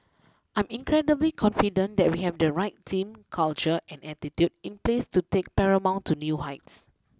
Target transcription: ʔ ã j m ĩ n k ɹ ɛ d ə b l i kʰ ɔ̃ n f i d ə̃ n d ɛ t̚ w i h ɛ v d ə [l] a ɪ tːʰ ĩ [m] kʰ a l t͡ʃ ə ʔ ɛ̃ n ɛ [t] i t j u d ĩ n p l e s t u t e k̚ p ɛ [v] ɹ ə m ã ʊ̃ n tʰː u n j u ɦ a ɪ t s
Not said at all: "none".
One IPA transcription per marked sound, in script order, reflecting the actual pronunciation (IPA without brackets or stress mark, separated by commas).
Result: ɹ, m, t, none